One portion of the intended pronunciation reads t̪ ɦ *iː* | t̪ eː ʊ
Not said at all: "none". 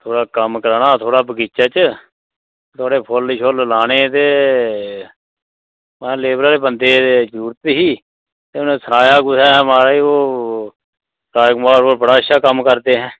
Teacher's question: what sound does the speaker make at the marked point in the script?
iː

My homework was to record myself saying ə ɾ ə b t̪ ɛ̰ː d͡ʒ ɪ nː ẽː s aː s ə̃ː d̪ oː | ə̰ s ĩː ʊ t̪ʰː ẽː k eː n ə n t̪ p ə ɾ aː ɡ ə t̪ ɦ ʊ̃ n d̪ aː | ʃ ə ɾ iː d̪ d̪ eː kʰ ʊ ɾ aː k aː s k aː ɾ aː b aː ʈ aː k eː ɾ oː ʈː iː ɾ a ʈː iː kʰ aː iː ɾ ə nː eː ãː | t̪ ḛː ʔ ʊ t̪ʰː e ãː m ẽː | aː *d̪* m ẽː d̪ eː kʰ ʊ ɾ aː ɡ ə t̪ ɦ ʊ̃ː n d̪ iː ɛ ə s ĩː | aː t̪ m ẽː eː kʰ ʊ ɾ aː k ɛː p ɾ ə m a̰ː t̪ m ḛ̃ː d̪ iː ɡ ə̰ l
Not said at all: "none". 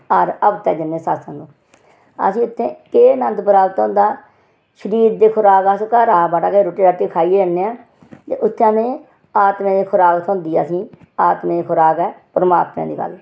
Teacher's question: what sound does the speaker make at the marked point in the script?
t̪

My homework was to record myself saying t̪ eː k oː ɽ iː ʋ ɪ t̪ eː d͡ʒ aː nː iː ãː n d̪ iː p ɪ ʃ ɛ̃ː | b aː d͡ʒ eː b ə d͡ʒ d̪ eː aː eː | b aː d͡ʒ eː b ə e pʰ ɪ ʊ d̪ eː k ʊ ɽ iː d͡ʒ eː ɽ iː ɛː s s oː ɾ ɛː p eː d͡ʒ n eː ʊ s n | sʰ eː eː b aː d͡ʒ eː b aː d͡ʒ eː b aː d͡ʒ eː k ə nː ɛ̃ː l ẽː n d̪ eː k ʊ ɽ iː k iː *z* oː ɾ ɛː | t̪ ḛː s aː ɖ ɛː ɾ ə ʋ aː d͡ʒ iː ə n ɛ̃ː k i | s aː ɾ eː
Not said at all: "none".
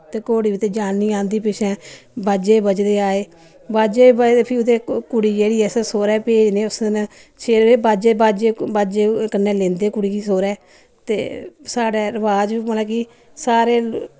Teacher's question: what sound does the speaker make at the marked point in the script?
s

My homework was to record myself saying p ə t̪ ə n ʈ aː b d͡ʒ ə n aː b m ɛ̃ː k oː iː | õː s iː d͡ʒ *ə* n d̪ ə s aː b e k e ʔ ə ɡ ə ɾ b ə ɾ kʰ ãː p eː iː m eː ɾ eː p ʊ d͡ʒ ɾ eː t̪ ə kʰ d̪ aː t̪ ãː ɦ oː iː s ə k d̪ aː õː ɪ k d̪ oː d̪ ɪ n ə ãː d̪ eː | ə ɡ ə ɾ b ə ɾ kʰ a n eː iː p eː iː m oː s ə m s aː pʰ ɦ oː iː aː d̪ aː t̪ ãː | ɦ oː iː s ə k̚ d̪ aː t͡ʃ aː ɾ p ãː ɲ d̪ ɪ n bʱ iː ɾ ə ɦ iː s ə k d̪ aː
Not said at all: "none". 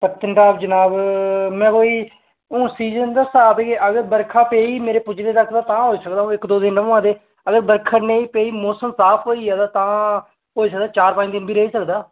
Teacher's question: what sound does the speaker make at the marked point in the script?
ə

